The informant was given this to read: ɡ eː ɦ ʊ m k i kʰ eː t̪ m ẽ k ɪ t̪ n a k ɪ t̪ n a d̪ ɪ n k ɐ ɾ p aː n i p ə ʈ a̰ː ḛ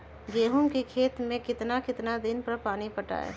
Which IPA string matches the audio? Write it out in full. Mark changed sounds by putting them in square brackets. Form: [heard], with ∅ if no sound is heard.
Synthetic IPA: ɡ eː ɦ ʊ m k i kʰ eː t̪ m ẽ k ɪ t̪ n a k ɪ t̪ n a d̪ ɪ n [p] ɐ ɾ p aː n i p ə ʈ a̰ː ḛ